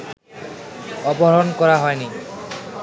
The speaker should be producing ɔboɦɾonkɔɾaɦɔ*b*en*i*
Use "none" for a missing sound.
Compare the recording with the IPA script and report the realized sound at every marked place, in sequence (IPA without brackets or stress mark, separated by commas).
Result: none, i